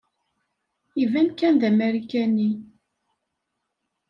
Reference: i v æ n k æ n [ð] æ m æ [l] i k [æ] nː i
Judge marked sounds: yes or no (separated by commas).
yes, no, yes